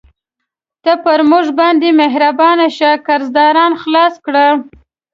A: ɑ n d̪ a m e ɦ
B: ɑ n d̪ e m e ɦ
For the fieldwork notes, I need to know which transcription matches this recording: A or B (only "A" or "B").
B